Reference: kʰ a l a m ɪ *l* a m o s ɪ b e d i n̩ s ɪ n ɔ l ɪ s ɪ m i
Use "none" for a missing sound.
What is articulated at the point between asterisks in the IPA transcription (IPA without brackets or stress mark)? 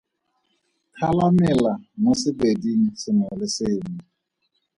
l